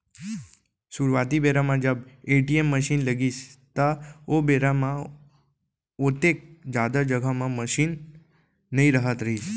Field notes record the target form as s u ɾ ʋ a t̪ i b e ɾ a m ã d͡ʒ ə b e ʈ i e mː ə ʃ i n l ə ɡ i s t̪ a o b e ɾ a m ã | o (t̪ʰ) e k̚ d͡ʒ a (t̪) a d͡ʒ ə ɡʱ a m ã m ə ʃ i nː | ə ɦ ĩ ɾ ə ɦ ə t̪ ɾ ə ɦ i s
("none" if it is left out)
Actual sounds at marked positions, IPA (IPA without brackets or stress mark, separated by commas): t̪, d̪